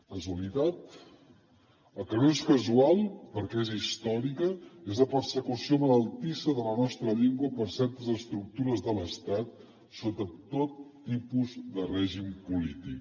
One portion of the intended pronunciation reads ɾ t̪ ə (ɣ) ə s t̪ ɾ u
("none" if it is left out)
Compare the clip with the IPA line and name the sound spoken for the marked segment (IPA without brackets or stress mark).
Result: z